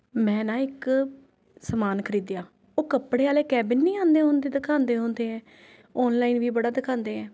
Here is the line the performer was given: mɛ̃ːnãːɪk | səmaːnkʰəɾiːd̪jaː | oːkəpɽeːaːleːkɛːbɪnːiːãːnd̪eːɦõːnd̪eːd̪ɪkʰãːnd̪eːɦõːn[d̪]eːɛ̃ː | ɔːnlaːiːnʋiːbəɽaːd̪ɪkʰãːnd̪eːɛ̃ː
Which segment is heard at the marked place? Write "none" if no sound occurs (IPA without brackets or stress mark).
d̪